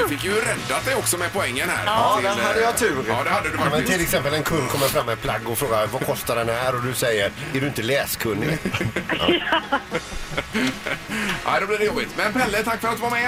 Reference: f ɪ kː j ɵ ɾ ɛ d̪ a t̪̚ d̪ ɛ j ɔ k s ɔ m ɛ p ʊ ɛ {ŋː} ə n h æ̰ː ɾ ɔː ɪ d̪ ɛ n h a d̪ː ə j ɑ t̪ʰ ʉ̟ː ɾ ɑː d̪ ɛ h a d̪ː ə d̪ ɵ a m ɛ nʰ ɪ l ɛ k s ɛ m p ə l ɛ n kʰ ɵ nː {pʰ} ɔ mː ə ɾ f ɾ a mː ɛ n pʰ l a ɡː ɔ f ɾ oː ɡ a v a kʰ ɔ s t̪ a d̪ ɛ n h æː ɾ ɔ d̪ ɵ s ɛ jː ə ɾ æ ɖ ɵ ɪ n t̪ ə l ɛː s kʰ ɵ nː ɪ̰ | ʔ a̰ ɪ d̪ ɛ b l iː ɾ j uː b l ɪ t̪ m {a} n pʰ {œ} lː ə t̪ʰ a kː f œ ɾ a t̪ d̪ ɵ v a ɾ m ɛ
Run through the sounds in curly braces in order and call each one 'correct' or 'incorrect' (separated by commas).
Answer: correct, incorrect, incorrect, incorrect